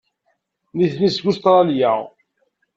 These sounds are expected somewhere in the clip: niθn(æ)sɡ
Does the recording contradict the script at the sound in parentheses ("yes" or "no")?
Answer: yes